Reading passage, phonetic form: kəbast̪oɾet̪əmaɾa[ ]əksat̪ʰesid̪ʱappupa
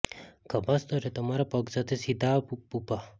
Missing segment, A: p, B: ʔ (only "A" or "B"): A